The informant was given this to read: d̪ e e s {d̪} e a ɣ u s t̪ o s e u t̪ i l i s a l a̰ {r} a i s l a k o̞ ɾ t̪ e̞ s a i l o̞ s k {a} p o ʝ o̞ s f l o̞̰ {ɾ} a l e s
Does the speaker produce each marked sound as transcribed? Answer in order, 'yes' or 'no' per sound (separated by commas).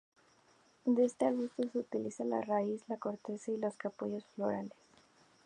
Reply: no, yes, yes, yes